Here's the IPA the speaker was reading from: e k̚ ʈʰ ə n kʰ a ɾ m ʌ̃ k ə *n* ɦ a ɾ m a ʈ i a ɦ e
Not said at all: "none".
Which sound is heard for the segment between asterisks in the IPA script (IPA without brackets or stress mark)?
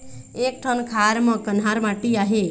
n